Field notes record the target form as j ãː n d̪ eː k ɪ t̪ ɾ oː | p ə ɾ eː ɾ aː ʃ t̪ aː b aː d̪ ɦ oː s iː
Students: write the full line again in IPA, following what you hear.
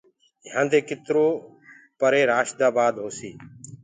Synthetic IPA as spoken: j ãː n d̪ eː k ɪ t̪ ɾ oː | p ə ɾ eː ɾ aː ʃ d̪ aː b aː d̪ ɦ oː s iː